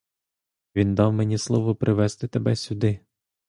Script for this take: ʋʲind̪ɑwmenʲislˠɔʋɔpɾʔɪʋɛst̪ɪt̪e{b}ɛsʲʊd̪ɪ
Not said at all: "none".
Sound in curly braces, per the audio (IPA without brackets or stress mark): b